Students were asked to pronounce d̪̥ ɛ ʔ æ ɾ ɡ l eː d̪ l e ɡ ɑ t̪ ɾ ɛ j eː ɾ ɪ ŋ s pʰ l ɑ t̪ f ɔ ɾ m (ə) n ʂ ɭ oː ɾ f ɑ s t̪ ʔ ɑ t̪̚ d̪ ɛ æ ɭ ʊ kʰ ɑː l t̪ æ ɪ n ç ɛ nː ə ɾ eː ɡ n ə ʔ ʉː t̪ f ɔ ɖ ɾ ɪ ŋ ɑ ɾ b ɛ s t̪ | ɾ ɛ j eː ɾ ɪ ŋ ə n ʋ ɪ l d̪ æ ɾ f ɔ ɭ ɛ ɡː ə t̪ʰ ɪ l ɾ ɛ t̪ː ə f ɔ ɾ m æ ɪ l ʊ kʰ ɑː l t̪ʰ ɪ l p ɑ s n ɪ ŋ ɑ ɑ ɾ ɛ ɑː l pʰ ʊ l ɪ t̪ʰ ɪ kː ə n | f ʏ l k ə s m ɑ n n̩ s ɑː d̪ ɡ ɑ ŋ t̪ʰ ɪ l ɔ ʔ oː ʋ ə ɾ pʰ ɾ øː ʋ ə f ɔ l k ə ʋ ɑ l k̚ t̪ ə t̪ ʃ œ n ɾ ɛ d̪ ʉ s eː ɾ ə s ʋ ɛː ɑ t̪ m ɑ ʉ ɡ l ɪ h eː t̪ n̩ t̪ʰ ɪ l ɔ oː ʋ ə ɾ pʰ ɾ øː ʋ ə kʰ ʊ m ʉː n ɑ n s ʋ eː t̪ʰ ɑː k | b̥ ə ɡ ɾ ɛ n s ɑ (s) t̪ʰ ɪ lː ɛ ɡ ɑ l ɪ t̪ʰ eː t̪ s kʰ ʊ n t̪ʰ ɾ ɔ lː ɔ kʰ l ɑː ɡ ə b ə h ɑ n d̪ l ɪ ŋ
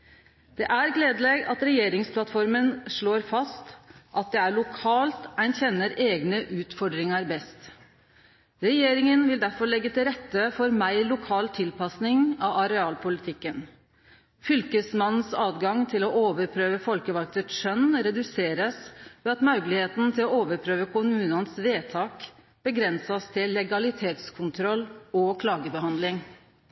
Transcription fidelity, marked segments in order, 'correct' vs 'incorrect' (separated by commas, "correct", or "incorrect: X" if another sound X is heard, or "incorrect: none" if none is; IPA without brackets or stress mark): correct, correct